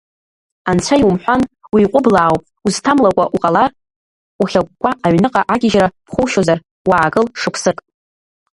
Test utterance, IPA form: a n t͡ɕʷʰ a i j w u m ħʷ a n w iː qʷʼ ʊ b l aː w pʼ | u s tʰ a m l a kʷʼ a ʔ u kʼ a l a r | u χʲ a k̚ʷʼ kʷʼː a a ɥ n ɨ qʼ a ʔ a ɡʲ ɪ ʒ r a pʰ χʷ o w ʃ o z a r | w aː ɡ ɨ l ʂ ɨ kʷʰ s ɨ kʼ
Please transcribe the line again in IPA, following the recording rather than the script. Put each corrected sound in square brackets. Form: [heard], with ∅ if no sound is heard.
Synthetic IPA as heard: a n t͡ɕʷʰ a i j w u m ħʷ a n w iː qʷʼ ʊ b l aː w pʼ | u [z] tʰ a m l a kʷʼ a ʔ u [qʼ] a l a r | u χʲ a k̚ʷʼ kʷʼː a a ɥ n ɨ qʼ a ʔ a ɡʲ ɪ ʒ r a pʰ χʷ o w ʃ o z a r | w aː ɡ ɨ l ʂ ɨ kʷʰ s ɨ kʼ